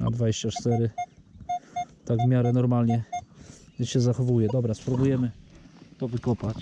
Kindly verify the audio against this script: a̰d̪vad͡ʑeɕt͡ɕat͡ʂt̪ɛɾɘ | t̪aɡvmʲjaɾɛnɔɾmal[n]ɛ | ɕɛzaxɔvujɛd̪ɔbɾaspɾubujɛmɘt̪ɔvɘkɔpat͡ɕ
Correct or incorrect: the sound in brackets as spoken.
incorrect: ɲ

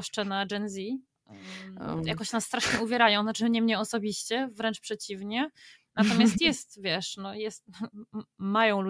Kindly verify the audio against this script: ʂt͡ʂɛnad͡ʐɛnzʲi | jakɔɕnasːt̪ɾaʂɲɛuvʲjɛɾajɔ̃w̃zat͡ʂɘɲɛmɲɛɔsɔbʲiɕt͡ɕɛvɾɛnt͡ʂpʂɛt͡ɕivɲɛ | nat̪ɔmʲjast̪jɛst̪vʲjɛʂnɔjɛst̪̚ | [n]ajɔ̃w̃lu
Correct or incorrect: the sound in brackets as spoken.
incorrect: m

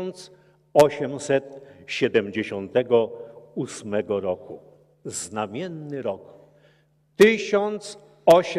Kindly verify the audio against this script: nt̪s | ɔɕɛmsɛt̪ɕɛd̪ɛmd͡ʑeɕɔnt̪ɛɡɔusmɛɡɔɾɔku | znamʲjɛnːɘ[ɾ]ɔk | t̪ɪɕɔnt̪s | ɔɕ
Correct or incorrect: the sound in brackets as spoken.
correct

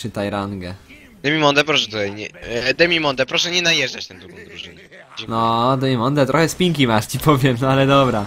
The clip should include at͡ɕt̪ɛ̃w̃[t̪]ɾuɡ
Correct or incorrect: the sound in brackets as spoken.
incorrect: d̪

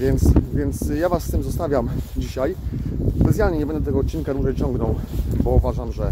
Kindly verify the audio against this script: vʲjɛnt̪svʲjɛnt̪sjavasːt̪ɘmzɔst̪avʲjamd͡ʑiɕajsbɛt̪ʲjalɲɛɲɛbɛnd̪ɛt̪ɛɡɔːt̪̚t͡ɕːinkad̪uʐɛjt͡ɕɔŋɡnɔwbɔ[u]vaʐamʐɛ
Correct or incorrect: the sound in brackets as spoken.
correct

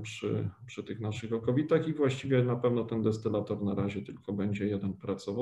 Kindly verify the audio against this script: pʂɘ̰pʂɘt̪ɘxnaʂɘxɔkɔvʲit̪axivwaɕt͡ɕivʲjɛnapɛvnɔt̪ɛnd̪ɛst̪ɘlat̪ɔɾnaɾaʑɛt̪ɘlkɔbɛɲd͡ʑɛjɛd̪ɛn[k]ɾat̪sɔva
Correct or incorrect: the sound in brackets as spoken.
incorrect: p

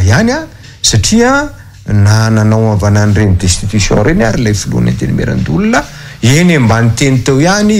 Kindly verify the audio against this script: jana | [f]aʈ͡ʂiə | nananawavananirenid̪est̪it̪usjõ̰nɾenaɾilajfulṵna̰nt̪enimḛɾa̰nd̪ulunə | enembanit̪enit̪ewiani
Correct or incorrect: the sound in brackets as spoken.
incorrect: s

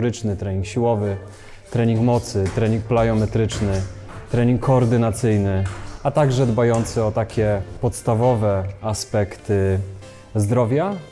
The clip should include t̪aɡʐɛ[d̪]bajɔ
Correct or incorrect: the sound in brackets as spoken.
correct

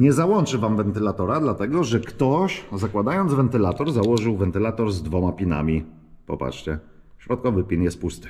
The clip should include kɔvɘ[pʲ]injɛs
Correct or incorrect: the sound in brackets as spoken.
correct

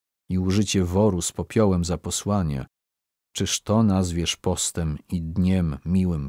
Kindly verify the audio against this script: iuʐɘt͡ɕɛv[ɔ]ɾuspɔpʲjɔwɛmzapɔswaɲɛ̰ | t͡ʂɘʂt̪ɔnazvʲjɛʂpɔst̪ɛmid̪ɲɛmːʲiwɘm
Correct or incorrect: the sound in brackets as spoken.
correct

